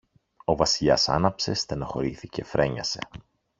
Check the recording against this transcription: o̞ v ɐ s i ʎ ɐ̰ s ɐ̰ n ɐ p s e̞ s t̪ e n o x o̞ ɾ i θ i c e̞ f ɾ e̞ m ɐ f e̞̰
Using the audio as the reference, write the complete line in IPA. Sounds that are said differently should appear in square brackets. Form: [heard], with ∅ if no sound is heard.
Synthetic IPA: o̞ v ɐ s i ʎ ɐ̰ s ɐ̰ n ɐ p s e̞ s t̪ e n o x o̞ ɾ i θ i c e̞ f ɾ e̞ [ɲ] ɐ [s] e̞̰